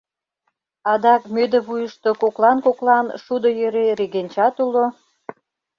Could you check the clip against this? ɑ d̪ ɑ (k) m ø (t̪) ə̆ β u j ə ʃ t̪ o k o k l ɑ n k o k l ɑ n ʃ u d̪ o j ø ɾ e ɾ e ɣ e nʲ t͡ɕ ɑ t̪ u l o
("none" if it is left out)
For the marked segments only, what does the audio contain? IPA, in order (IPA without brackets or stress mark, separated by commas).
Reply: k, d̪